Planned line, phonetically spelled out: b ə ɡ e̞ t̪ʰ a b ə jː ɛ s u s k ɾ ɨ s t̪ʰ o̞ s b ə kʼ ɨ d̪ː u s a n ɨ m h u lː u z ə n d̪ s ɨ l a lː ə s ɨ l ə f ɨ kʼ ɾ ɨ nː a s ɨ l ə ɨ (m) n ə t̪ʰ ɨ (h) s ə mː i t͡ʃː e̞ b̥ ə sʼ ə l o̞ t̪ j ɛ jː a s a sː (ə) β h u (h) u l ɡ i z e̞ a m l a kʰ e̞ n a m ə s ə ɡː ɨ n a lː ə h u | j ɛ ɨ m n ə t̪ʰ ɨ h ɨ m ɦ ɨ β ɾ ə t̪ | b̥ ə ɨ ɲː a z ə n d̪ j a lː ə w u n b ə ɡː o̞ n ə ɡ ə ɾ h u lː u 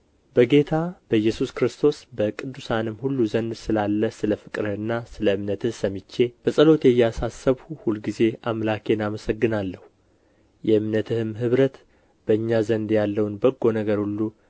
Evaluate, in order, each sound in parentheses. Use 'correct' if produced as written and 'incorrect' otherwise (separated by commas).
correct, correct, correct, correct